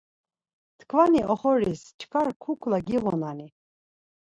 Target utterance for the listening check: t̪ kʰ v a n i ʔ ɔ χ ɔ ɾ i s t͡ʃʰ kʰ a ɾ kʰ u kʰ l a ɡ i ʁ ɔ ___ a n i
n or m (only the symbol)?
n